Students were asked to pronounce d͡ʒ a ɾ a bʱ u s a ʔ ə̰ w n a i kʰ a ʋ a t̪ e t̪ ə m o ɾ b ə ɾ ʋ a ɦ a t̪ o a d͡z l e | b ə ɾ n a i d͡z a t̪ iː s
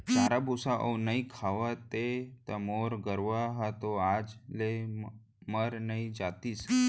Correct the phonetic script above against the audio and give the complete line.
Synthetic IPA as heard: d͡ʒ a ɾ a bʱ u s a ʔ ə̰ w n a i kʰ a ʋ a t̪ e t̪ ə m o ɾ ɡ ə ɾ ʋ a ɦ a t̪ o a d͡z l e | m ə ɾ n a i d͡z a t̪ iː s